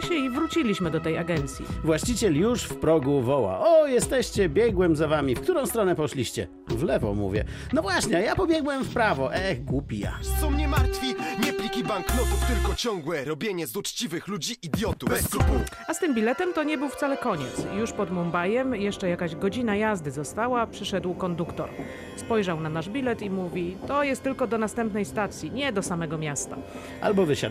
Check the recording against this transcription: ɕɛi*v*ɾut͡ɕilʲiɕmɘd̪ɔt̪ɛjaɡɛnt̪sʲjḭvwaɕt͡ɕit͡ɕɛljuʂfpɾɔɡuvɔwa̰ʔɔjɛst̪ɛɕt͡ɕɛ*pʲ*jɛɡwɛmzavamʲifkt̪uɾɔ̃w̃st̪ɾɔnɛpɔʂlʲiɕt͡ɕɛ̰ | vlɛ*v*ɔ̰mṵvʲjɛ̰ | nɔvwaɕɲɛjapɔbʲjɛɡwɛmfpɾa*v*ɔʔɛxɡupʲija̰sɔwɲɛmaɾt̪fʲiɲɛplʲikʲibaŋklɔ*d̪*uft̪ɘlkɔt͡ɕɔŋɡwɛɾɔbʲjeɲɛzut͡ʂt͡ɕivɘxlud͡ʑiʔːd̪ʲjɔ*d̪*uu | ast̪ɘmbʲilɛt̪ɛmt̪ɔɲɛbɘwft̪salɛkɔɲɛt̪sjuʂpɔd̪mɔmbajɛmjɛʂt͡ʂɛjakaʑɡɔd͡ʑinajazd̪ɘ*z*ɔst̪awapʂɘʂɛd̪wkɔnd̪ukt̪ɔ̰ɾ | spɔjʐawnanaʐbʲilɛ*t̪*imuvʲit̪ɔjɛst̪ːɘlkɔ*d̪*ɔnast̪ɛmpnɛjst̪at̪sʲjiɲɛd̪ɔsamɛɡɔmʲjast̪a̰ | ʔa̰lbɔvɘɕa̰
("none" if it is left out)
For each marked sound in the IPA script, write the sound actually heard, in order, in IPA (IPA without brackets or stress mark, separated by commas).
v, bʲ, v, v, t̪, t̪, z, t̪, d̪